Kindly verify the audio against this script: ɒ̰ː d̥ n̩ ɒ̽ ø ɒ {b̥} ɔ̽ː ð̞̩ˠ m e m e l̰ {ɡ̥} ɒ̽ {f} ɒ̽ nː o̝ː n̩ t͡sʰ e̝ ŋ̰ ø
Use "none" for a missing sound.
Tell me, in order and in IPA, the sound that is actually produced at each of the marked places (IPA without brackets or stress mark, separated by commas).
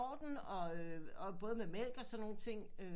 b̥, ɡ̥, s